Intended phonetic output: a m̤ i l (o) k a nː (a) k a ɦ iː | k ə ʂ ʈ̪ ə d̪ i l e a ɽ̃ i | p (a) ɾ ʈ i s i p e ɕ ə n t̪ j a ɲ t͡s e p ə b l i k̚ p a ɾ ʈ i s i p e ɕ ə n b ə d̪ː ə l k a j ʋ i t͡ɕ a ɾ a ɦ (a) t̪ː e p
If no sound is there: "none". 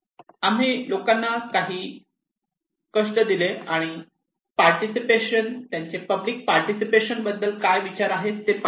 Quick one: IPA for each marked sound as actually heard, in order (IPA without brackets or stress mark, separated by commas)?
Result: o, a, a, e